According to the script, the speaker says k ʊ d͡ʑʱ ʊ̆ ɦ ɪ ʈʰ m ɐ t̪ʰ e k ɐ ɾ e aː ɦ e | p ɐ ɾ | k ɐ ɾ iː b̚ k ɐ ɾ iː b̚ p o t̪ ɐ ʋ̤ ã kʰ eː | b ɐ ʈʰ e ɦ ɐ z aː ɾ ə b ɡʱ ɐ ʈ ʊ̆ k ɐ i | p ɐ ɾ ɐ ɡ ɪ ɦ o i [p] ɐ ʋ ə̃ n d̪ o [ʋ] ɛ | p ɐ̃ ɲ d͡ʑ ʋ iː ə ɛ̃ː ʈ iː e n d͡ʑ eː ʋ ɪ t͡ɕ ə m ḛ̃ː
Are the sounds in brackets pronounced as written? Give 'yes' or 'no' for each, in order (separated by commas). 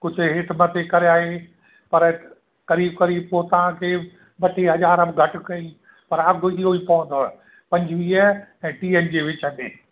yes, no